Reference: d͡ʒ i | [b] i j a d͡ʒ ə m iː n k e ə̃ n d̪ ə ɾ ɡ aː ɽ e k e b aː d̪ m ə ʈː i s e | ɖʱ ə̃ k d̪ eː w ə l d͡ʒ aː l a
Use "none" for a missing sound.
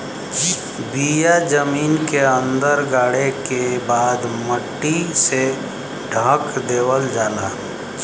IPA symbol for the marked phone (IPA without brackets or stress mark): b